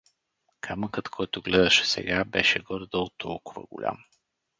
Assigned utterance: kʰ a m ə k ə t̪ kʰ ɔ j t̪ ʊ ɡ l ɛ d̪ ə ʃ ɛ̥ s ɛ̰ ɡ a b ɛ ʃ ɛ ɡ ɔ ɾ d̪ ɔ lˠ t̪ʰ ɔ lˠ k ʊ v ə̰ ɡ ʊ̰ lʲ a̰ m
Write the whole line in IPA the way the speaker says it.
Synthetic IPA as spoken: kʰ a m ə k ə t̪ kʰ ɔ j t̪ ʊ ɡ l ɛ d̪ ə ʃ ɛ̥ s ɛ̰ ɡ a b ɛ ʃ ɛ ɡ ɔ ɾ d̪ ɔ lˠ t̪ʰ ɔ lˠ k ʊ v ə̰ ɡ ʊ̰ lʲ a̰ m